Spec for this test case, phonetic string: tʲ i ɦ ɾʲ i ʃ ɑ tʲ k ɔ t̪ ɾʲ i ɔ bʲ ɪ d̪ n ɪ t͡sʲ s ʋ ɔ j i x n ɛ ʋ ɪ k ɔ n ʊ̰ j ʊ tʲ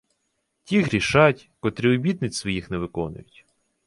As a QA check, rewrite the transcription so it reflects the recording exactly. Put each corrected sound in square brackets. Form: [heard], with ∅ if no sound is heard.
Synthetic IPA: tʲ i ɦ ɾʲ i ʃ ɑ tʲ k ɔ t̪ ɾʲ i ɔ bʲ [i] d̪ n ɪ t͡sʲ s ʋ ɔ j i x n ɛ ʋ ɪ k ɔ n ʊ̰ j ʊ tʲ